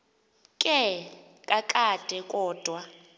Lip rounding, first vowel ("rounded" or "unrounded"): unrounded